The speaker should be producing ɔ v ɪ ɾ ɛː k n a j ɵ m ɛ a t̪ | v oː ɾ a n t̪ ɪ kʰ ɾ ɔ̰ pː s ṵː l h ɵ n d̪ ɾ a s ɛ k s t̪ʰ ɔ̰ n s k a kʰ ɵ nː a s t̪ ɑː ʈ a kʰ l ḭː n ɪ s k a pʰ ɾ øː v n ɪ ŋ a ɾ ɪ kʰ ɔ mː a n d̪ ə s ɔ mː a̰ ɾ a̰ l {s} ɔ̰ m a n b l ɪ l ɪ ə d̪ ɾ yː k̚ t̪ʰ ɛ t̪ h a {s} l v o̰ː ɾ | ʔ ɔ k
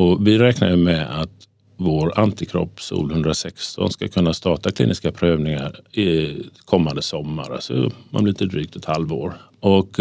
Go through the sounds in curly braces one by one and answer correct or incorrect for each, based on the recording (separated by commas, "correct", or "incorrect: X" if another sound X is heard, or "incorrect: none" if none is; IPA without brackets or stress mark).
correct, incorrect: none